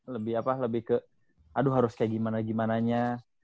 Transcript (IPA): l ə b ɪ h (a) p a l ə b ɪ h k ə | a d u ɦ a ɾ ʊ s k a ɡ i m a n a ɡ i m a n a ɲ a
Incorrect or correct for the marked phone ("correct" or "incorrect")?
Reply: correct